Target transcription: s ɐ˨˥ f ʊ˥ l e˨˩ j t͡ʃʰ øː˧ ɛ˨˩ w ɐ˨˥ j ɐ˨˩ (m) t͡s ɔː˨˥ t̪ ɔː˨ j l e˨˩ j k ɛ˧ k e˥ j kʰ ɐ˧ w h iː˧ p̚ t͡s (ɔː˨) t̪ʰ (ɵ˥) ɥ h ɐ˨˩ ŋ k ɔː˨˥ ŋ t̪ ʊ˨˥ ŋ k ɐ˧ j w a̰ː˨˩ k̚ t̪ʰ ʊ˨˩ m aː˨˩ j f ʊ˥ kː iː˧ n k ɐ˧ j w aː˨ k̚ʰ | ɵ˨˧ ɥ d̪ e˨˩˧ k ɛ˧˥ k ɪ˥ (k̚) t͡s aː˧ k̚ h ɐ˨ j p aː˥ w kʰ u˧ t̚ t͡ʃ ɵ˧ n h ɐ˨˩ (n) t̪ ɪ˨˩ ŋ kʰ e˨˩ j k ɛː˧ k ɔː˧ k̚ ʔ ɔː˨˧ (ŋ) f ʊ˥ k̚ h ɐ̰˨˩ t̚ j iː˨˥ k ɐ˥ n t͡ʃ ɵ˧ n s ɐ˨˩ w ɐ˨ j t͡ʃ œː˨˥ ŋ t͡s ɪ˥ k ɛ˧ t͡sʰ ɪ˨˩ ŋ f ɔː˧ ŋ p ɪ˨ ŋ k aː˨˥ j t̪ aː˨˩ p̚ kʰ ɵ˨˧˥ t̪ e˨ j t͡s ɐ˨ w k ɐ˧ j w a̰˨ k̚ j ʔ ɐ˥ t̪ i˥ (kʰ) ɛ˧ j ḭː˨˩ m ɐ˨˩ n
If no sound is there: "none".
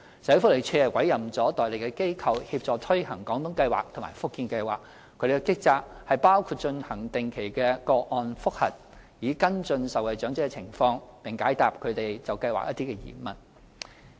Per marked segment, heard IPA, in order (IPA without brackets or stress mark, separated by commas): m, ɔː˨, ɵ˥, k̚, ŋ, n, k